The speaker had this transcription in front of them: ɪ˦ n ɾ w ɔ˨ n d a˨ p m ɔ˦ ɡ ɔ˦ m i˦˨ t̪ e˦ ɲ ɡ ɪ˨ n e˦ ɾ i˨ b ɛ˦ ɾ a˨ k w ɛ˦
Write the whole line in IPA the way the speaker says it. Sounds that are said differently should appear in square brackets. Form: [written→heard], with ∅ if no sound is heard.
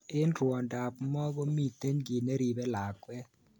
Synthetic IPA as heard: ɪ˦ n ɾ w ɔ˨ n d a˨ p m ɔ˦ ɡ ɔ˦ m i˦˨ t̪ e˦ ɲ ɡ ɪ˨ n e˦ ɾ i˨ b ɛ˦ [ɾ→l] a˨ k w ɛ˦